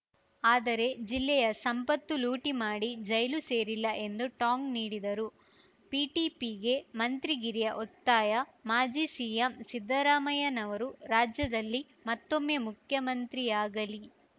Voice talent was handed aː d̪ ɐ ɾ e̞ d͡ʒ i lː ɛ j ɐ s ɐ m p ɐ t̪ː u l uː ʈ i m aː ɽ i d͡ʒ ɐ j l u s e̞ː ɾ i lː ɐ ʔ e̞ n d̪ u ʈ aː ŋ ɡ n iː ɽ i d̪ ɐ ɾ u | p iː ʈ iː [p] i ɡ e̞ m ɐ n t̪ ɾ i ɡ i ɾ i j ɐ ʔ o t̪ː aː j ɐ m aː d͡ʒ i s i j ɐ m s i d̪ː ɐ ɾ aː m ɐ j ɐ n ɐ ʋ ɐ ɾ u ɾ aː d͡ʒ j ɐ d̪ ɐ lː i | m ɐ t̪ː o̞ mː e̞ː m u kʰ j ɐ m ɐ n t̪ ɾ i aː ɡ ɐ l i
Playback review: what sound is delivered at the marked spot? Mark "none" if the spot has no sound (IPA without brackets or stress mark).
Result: p